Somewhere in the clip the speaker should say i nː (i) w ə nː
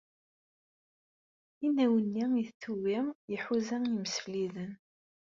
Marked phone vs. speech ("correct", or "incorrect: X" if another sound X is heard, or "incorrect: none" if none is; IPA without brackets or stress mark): incorrect: æ